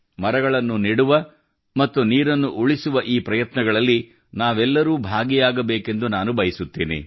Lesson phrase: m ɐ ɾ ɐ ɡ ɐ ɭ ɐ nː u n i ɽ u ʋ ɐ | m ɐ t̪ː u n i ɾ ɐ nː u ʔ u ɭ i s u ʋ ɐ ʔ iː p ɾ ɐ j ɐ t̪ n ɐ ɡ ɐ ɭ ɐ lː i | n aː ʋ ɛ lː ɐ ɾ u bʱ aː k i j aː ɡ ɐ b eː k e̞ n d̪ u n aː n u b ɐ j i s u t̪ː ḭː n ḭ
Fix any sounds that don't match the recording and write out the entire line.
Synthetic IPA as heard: m ɐ ɾ ɐ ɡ ɐ ɭ ɐ nː u n i ɽ u ʋ ɐ | m ɐ t̪ː u n iː ɾ ɐ nː u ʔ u ɭ i s u ʋ ɐ ʔ iː p ɾ ɐ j ɐ t̪ n ɐ ɡ ɐ ɭ ɐ lː i | n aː ʋ ɛ lː ɐ ɾ uː bʱ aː ɡ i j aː ɡ ɐ b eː k e̞ n d̪ u n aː n u b ɐ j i s u t̪ː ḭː n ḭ